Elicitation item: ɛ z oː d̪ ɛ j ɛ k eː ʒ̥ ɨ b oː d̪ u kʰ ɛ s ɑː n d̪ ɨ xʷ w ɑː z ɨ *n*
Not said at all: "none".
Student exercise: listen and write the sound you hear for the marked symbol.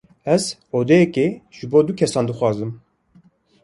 m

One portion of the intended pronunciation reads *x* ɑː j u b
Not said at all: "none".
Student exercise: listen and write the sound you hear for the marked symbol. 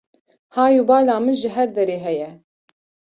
h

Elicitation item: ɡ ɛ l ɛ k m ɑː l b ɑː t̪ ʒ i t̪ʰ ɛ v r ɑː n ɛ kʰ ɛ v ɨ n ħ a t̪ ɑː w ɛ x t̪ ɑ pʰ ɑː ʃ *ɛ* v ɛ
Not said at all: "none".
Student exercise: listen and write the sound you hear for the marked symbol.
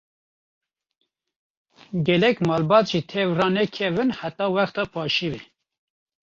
i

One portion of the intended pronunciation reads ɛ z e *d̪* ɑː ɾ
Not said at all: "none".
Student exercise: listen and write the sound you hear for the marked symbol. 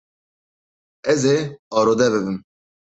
none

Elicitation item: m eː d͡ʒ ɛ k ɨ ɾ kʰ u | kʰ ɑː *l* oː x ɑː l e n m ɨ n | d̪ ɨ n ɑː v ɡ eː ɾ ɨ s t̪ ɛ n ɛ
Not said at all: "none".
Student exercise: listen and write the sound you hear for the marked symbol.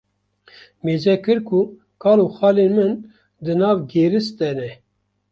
l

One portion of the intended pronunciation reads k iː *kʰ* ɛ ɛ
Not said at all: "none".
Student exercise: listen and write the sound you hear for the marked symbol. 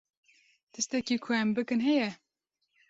kʰ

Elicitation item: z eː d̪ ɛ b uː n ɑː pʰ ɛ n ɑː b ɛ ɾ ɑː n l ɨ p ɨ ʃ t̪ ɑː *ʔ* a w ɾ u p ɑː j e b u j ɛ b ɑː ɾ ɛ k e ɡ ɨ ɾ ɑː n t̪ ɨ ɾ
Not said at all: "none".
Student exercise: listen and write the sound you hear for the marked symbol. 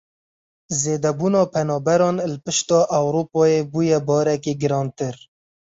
ʔ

